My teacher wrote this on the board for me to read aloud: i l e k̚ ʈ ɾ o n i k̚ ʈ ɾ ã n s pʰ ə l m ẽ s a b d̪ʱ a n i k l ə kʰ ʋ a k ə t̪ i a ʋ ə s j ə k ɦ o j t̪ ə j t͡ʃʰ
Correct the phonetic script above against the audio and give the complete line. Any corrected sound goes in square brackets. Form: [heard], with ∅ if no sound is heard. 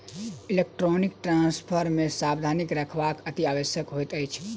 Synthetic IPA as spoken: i l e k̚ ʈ ɾ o n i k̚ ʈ ɾ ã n s pʰ ə [ɾ] m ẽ s a b d̪ʱ a n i k [ɾ] ə kʰ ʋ a k ə t̪ i a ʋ ə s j ə k ɦ o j t̪ ə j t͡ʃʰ